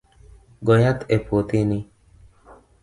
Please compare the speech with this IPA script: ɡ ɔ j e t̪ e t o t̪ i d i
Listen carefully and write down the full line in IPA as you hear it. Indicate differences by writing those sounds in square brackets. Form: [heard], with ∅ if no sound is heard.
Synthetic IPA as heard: ɡ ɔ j [a] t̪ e [p] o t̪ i [n] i